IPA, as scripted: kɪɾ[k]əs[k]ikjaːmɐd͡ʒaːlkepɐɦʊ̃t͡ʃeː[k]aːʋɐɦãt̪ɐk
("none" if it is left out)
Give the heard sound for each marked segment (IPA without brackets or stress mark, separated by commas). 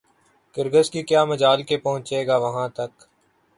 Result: ɡ, k, ɡ